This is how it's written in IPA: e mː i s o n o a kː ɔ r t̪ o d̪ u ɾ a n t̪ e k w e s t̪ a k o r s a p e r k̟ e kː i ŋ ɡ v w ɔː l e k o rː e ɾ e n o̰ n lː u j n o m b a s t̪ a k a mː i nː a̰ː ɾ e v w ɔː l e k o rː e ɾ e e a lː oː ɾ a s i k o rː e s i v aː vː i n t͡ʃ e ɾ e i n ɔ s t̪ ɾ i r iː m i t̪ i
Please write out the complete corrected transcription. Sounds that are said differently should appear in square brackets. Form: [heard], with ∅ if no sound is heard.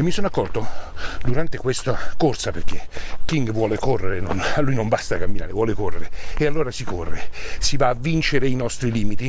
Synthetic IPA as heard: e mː i s o n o a kː ɔ r t̪ o d̪ u ɾ a n t̪ e k w e s t̪ a k o r s a p e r k̟ e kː i ŋ ɡ v w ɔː l e k o rː e ɾ e n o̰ n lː u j n o m b a s t̪ a k a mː i [n] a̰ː ɾ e v w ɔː l e k o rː e ɾ e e a lː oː ɾ a s i k o rː e s i v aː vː i n t͡ʃ e ɾ e i n ɔ s t̪ ɾ i [l] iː m i t̪ i